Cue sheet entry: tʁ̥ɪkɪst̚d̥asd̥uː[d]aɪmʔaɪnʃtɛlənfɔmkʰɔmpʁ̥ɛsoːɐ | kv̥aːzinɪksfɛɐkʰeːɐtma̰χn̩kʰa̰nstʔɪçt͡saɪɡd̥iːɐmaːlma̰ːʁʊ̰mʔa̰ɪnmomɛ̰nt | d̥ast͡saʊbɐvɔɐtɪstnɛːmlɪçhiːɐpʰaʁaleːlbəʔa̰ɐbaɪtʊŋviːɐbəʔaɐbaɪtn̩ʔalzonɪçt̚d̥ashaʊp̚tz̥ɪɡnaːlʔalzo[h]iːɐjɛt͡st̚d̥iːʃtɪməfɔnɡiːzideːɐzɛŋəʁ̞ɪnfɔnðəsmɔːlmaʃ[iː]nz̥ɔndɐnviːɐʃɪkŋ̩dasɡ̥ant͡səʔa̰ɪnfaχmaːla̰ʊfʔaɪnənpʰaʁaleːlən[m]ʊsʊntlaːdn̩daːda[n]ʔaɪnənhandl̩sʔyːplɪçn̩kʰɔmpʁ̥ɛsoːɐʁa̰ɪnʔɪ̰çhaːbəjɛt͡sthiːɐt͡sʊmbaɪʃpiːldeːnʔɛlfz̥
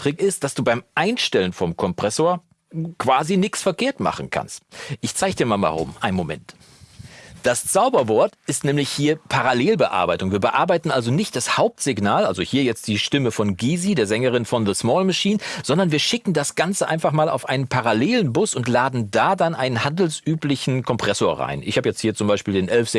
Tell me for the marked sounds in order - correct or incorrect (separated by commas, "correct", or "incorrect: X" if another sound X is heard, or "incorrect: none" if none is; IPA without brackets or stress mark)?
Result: incorrect: b, correct, correct, incorrect: b, correct